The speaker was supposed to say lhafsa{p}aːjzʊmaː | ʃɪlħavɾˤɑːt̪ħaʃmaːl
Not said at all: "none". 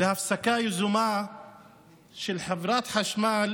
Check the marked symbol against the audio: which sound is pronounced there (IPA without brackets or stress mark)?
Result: k